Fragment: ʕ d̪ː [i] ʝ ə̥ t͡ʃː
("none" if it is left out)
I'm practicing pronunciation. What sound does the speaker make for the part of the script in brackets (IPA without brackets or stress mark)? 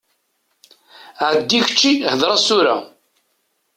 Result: i